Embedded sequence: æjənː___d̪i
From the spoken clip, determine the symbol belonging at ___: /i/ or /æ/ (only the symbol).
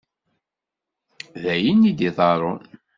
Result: i